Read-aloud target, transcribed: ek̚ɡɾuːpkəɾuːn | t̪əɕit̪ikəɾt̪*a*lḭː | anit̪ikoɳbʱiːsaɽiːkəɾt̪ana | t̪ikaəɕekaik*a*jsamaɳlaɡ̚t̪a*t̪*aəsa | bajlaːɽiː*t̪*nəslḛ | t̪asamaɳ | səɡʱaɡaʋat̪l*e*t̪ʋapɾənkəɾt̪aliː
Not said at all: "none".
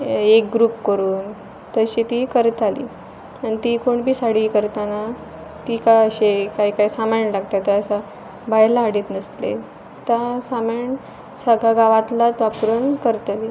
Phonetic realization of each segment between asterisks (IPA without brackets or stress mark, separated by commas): a, a, t̪, t̪, a